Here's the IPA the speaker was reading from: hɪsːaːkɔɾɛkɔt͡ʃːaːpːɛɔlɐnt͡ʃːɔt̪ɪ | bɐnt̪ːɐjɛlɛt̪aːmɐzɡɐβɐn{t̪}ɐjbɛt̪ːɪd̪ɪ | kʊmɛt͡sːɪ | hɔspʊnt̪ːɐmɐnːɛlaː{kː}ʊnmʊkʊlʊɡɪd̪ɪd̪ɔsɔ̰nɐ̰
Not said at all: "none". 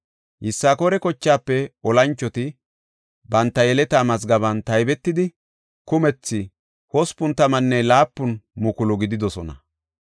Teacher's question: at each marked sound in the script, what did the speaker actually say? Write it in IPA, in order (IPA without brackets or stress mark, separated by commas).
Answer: t̪, pː